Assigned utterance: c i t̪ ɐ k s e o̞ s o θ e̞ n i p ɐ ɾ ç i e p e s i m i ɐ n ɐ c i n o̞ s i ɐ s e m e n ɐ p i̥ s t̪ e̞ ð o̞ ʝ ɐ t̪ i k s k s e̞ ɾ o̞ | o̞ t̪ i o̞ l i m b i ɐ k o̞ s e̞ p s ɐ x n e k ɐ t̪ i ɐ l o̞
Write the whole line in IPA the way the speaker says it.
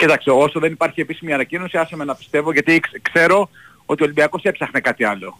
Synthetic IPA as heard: c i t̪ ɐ k s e o̞ s o ð e̞ n i p ɐ ɾ ç i e p i s i m i ɐ n ɐ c i n o̞ s i ɐ s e m e n ɐ p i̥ s t̪ e̞ v o̞ ʝ ɐ t̪ i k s k s e̞ ɾ o̞ | o̞ t̪ i o̞ l i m b i ɐ k o̞ s e̞ p s ɐ x n e k ɐ t̪ i ɐ l o̞